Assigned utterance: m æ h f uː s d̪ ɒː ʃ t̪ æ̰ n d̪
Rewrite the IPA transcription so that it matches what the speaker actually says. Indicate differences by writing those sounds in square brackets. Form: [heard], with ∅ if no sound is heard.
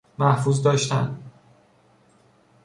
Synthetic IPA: m æ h f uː [z] d̪ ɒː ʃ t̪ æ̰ n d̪